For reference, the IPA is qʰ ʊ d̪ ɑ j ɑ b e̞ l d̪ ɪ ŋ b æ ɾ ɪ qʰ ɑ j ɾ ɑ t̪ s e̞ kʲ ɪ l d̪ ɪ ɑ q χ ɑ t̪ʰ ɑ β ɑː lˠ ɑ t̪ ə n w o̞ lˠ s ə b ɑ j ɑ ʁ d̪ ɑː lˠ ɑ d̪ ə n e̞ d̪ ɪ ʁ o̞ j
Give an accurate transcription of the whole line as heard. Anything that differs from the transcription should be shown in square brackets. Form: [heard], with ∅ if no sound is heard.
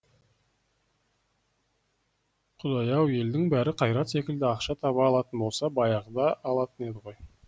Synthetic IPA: qʰ ʊ d̪ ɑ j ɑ [w] e̞ l d̪ ɪ ŋ b æ ɾ ɪ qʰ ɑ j ɾ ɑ t̪ s e̞ kʲ ɪ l d̪ ɪ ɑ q [ʃ] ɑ t̪ʰ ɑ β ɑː lˠ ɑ t̪ ə n [b] o̞ lˠ s [ɑ] b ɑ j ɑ ʁ d̪ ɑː lˠ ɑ [t̪] ə n e̞ d̪ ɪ ʁ o̞ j

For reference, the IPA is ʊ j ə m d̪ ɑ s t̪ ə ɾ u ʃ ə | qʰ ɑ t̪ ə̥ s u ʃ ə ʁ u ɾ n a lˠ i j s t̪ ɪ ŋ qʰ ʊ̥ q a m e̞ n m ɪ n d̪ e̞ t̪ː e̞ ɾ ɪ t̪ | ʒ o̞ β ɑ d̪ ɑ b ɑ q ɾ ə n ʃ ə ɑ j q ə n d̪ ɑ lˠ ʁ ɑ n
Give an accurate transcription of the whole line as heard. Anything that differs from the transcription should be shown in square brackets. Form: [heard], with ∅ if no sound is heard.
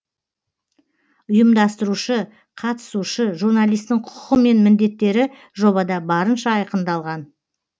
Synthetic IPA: ʊ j ə m d̪ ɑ s t̪ ə ɾ u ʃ ə | qʰ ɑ t̪ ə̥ s u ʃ ə [ʒ] u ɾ n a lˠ i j s t̪ ɪ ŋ qʰ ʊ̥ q [ə] m e̞ n m ɪ n d̪ e̞ t̪ː e̞ ɾ ɪ [∅] | ʒ o̞ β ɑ d̪ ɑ b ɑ [∅] ɾ ə n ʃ [ɑ] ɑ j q ə n d̪ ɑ lˠ ʁ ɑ n

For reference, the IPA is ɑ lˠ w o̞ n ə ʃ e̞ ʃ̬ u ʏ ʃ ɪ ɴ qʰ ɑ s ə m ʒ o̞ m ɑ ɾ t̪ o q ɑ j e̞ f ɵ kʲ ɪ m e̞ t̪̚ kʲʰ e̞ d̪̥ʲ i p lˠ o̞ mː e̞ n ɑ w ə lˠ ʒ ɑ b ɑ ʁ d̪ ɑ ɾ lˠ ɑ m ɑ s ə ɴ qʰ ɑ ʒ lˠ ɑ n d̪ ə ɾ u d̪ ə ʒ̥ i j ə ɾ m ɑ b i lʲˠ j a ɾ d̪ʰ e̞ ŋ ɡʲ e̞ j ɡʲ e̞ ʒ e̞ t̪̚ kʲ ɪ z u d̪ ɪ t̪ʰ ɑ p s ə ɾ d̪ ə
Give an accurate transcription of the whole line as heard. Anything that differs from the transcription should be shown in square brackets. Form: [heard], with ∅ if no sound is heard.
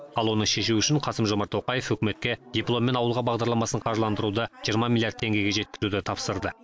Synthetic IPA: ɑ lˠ w o̞ n ə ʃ e̞ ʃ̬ u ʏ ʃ ɪ ɴ qʰ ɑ s ə m ʒ o̞ m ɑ ɾ t̪ o q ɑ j e̞ f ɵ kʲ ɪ m e̞ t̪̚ [kʲ] e̞ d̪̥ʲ i p lˠ o̞ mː e̞ n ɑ w ə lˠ [ʁ] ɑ b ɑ ʁ d̪ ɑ ɾ lˠ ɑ m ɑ s ə ɴ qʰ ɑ ʒ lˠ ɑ n d̪ ə ɾ u d̪ ə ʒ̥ i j ə ɾ m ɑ [m] i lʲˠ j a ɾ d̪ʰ e̞ ŋ ɡʲ e̞ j ɡʲ e̞ ʒ e̞ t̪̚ kʲ ɪ z u d̪ ɪ t̪ʰ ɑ p s ə ɾ d̪ ə

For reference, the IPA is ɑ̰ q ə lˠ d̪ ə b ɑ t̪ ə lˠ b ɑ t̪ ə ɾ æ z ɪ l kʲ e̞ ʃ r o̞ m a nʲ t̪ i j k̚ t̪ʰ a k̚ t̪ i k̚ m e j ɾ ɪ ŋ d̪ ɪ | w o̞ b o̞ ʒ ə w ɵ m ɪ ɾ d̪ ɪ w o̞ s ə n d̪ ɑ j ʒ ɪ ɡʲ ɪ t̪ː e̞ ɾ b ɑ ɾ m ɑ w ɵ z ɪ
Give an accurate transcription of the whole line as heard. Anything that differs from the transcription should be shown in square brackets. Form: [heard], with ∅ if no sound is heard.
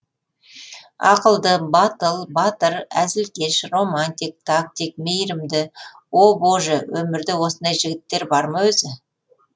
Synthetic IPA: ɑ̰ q ə lˠ d̪ ə b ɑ t̪ ə lˠ b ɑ t̪ ə ɾ æ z ɪ l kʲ e̞ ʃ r o̞ m a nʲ t̪ i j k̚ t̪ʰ a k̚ t̪ i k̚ m e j ɾ ɪ [m] d̪ ɪ | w o̞ b o̞ ʒ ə w ɵ m ɪ ɾ d̪ ɪ w o̞ s ə n d̪ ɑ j ʒ ɪ ɡʲ ɪ t̪ː e̞ ɾ b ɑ ɾ m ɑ w ɵ z ɪ

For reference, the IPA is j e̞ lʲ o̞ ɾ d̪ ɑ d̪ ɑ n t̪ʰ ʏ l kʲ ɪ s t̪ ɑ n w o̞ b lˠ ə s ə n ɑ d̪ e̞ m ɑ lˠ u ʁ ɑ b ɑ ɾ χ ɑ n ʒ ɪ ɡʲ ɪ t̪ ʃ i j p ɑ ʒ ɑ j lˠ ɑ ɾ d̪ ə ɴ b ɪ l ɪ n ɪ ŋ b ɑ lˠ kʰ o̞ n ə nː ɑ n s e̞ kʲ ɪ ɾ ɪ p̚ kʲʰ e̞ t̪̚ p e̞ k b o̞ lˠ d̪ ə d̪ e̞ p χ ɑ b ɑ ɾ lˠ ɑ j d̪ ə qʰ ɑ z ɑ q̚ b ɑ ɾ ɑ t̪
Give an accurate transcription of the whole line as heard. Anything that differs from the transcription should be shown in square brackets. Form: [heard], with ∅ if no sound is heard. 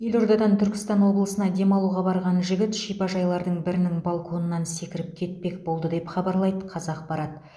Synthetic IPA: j e̞ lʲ o̞ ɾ d̪ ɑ d̪ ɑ n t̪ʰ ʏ [ɾ] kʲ ɪ s t̪ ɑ n w o̞ b lˠ ə s ə n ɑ d̪ e̞ m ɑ lˠ u ʁ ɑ b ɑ ɾ [ʁ] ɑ n ʒ ɪ ɡʲ ɪ t̪ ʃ i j p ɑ ʒ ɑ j lˠ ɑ ɾ d̪ ə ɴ b ɪ [ɾ] ɪ n ɪ ŋ b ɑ lˠ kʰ o̞ n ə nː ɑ n s e̞ kʲ ɪ ɾ ɪ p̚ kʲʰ e̞ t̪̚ p e̞ k b o̞ lˠ d̪ ə d̪ e̞ p χ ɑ b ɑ ɾ lˠ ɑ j d̪ ə qʰ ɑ z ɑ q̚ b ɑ ɾ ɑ t̪

